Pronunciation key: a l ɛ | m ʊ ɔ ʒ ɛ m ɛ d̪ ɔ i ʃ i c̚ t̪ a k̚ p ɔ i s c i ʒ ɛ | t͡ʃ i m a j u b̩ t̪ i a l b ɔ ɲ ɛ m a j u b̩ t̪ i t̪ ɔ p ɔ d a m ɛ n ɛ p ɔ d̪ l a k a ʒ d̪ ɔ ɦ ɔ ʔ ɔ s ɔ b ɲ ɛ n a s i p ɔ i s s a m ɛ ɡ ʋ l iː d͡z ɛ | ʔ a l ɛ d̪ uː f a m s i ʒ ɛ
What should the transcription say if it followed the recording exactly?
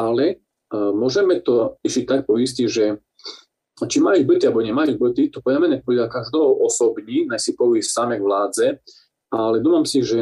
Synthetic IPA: a l ɛ | m ʊ ɔ ʒ ɛ m ɛ t̪ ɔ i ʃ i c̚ t̪ a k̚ p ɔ i s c i ʒ ɛ | t͡ʃ i m a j u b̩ t̪ i a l b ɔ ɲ ɛ m a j u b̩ t̪ i t̪ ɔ p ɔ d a m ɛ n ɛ p ɔ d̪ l a k a ʒ d̪ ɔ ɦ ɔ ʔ ɔ s ɔ b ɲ i n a s i p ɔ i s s a m ɛ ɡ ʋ l aː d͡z ɛ | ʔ a l ɛ d̪ uː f a m s i ʒ ɛ